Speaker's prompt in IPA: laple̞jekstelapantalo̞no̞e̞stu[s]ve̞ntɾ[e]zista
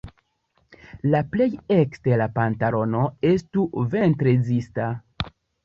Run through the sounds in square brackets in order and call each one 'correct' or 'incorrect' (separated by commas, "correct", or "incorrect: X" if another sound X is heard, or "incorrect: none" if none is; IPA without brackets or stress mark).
incorrect: none, correct